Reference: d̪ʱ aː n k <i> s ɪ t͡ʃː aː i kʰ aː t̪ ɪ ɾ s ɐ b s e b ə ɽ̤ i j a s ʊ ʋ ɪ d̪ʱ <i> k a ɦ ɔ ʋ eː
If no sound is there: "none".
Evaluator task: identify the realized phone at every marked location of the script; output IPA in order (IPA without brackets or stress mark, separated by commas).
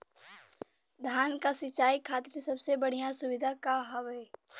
a, a